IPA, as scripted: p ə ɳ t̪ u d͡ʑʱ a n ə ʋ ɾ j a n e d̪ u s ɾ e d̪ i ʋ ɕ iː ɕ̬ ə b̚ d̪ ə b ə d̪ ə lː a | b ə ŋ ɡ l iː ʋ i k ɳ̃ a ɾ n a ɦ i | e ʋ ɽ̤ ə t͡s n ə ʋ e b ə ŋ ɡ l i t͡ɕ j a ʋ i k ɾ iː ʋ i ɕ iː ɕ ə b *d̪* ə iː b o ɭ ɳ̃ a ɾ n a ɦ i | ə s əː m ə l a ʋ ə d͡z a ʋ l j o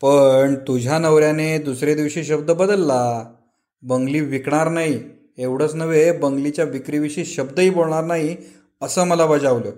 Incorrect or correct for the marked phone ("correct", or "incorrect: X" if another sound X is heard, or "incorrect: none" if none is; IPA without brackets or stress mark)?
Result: correct